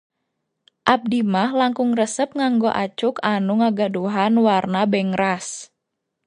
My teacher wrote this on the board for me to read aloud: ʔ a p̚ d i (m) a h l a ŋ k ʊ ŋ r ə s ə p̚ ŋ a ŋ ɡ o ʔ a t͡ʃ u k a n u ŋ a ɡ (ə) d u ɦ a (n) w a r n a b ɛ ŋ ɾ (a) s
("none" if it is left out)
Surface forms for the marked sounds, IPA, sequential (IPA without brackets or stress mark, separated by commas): m, a, n, a